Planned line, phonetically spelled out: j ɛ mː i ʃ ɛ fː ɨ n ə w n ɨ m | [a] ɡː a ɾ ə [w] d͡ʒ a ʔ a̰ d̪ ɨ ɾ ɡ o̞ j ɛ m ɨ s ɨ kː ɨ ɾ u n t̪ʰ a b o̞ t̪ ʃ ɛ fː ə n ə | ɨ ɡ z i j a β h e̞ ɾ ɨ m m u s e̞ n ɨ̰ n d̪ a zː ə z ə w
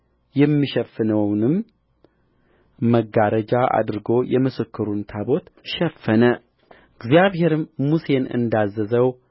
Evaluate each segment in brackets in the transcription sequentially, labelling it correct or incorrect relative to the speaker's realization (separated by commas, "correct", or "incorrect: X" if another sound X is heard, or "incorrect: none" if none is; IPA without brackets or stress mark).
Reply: incorrect: ə, incorrect: none